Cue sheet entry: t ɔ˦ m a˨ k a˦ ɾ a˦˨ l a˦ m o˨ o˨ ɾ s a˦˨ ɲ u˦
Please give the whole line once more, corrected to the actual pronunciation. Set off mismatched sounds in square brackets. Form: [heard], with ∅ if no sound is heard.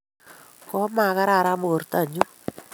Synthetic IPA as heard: [k] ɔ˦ m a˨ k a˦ ɾ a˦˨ [ɾ] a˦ m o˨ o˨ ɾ [t] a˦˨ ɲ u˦